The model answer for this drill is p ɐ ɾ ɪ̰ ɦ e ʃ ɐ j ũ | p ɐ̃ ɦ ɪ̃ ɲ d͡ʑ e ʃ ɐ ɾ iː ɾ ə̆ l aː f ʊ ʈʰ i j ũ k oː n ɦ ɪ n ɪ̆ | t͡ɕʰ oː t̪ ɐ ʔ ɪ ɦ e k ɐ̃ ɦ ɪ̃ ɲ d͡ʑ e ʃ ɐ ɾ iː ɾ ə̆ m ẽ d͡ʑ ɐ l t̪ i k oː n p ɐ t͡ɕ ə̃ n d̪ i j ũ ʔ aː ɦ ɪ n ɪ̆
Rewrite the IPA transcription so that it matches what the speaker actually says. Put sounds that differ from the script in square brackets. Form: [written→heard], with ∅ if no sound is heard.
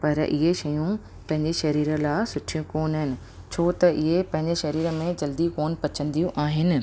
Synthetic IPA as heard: p ɐ ɾ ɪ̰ ɦ e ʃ ɐ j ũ | p ɐ̃ ɦ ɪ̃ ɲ d͡ʑ e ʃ ɐ ɾ iː ɾ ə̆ l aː [f→s] ʊ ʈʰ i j ũ k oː n ɦ ɪ n ɪ̆ | t͡ɕʰ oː t̪ ɐ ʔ ɪ ɦ e [k→p] ɐ̃ ɦ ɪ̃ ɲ d͡ʑ e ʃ ɐ ɾ iː ɾ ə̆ m ẽ d͡ʑ ɐ l [t̪→d̪] i k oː n p ɐ t͡ɕ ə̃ n d̪ i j ũ ʔ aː ɦ ɪ n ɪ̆